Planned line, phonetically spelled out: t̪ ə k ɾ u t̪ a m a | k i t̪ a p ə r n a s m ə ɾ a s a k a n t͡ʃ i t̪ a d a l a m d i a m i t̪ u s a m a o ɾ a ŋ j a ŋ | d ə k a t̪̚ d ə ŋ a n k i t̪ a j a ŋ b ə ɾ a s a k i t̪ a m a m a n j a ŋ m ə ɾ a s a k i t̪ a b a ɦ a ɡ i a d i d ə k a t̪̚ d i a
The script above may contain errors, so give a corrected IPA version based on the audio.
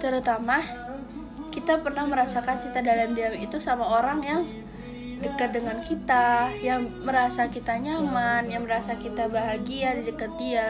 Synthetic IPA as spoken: t̪ ə ɾ u t̪ a m a | k i t̪ a p ə r n a h m ə ɾ a s a k a n t͡ʃ i t̪ a d a l a m d i a m i t̪ u s a m a o ɾ a ŋ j a ŋ | d ə k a t̪̚ d ə ŋ a n k i t̪ a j a ŋ m ə ɾ a s a k i t̪ a ɲ a m a n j a ŋ m ə ɾ a s a k i t̪ a b a ɦ a ɡ i a d i d ə k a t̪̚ d i a